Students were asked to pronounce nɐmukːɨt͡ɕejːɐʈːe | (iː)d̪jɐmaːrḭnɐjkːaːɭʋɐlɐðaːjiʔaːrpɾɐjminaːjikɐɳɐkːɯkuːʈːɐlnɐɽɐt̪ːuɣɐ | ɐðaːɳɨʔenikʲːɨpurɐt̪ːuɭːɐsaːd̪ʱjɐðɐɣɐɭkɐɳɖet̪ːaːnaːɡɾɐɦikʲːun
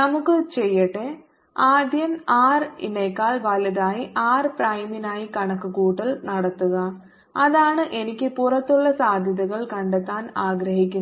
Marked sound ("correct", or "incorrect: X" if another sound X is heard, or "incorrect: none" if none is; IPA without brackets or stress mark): incorrect: aː